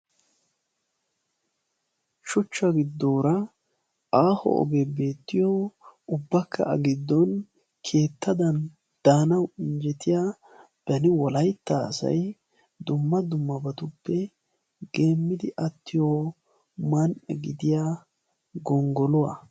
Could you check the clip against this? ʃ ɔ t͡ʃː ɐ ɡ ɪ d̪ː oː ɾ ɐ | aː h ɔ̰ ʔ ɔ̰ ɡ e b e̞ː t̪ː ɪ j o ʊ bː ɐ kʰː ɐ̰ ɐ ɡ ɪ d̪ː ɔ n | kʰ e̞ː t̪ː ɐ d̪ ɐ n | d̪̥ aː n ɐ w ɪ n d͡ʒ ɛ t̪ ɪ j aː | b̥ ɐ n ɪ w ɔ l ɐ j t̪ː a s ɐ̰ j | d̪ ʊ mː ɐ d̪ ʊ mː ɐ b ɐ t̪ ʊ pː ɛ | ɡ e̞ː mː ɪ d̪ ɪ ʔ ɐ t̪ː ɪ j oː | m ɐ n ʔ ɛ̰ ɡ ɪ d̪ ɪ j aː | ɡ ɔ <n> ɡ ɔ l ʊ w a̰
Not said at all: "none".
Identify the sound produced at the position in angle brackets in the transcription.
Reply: ŋ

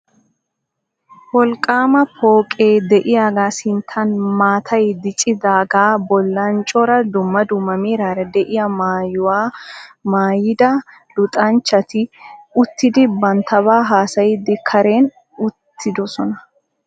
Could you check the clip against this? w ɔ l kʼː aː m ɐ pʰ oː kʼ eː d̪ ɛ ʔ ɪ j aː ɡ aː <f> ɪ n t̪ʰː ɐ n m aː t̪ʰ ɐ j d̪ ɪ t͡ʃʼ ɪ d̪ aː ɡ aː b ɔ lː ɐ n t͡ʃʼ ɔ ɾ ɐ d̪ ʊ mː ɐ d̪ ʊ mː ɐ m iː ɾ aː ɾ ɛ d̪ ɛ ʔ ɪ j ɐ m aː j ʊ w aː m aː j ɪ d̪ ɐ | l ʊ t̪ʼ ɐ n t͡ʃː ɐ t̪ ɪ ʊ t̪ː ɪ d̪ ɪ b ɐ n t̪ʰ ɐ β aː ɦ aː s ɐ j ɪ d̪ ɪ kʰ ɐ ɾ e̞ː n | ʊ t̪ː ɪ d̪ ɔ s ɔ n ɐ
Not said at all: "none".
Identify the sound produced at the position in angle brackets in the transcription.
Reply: s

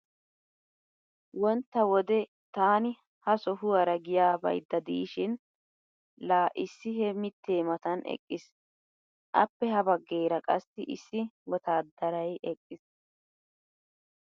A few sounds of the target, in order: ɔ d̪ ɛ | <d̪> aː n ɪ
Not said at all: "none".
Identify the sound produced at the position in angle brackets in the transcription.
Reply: t̪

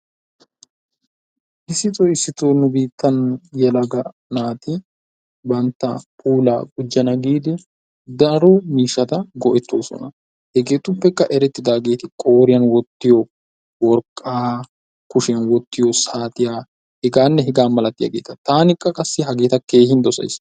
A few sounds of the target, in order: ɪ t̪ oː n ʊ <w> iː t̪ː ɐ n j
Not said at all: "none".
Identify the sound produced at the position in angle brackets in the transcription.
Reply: b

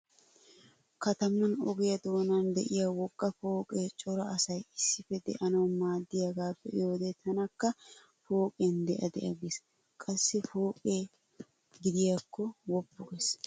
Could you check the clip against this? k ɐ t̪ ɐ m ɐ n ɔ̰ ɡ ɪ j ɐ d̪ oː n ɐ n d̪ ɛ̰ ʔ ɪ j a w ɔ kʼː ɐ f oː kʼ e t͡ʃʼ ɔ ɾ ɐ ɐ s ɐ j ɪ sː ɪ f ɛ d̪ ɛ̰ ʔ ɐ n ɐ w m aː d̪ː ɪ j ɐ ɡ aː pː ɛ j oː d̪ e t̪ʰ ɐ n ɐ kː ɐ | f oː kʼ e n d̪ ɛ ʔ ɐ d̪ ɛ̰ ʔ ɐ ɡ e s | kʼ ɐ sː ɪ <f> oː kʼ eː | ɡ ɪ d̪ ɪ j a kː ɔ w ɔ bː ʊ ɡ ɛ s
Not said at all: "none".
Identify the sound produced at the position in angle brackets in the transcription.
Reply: f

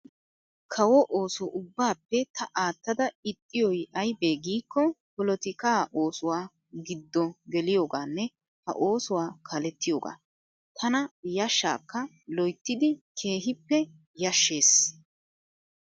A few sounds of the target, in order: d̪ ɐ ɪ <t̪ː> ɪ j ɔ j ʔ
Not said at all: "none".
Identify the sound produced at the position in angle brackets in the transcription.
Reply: t̪ʼː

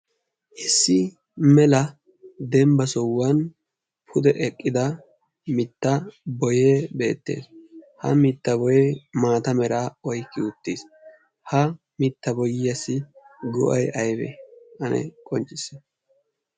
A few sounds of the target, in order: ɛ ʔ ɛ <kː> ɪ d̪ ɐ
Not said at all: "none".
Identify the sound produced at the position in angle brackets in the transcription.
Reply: kʼː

